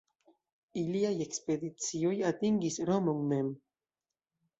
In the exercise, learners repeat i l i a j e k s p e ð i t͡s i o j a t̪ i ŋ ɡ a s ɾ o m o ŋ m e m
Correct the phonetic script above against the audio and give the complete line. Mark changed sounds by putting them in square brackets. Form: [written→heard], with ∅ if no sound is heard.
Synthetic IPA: i l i a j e k s p e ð i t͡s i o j a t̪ i ŋ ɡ [a→i] s ɾ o m o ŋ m e m